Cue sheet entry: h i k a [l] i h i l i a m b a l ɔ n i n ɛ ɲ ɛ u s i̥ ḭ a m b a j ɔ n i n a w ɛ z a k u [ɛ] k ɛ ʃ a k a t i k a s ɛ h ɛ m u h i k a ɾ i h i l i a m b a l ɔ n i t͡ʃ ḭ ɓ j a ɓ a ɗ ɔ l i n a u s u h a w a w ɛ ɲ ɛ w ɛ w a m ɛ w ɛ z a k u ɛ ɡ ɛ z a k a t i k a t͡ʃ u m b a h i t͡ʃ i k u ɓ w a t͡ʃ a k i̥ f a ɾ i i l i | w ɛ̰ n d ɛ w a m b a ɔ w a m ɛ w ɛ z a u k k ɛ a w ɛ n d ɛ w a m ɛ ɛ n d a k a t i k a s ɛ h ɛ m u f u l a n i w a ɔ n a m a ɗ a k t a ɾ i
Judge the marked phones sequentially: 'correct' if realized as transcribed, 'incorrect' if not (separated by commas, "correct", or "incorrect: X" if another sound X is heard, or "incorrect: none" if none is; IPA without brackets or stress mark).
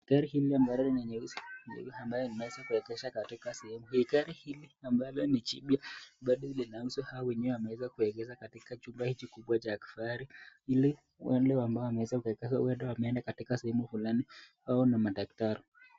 incorrect: ɾ, correct